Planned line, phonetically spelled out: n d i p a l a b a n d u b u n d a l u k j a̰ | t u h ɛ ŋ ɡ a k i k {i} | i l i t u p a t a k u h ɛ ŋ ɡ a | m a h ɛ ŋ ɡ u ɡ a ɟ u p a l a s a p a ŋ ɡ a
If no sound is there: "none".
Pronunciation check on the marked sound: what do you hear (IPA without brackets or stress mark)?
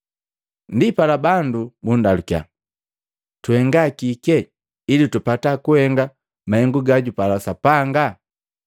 ɛ